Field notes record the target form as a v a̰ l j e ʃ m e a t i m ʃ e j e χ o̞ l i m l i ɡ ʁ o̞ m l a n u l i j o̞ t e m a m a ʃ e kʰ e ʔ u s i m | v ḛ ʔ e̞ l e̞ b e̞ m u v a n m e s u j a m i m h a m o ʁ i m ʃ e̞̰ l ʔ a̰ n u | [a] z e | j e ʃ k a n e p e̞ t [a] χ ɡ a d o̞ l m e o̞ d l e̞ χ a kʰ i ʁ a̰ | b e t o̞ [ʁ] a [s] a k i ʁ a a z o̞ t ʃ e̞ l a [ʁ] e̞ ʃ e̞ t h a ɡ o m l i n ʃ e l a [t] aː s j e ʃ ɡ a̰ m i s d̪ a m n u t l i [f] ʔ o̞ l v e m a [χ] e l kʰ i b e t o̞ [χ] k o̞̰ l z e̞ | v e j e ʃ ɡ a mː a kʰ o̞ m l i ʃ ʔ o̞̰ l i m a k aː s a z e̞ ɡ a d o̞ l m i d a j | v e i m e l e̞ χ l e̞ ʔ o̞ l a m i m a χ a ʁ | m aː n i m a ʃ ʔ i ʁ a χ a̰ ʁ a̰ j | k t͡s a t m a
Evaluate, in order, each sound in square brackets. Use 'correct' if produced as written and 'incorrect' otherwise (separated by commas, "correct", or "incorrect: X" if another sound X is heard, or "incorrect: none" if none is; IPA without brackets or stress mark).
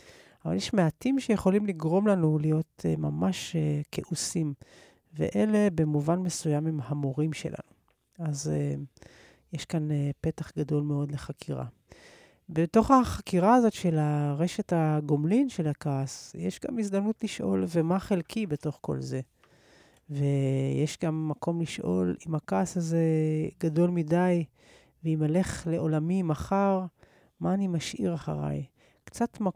correct, correct, incorrect: χ, incorrect: χ, correct, incorrect: k, incorrect: ʃ, correct, correct